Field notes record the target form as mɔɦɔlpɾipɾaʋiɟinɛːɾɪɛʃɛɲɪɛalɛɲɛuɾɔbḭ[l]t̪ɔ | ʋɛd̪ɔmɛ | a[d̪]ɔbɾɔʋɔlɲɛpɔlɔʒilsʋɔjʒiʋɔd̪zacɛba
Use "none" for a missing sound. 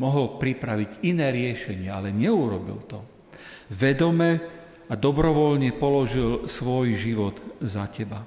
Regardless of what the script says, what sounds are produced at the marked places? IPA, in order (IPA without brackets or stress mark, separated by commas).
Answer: l, d̪